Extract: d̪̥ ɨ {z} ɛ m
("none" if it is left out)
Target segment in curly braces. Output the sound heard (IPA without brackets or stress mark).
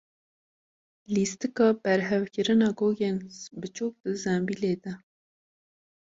z